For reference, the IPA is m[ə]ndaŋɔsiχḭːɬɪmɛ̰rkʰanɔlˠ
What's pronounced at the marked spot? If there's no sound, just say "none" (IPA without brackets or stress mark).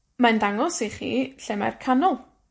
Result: a